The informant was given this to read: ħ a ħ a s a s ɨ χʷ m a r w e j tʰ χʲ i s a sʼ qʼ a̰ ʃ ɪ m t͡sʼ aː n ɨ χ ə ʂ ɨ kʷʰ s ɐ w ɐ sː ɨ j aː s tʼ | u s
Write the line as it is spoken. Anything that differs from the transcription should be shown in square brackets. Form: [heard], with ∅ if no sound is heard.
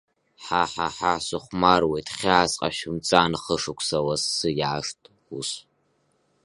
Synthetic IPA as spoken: ħ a ħ a [ħ] a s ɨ χʷ m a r w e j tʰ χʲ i [∅] a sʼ qʼ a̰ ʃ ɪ m t͡sʼ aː n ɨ χ ə ʂ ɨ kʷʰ s ɐ w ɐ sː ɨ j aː [ʂ] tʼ | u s